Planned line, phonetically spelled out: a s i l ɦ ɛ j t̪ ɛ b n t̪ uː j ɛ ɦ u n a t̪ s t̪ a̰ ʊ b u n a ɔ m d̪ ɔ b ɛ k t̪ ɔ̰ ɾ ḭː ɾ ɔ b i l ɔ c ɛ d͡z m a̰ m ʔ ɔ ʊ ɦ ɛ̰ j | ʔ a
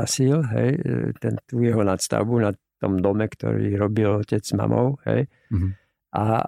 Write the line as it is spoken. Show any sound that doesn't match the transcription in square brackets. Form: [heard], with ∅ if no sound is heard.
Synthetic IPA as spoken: a s i l ɦ ɛ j t̪ ɛ [∅] n t̪ uː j ɛ ɦ [ɔ] n a t̪ s t̪ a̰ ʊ b u n a ɔ m d̪ ɔ [m] ɛ k t̪ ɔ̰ ɾ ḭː ɾ ɔ b i l ɔ c ɛ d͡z m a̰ m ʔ ɔ ʊ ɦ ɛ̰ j | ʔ a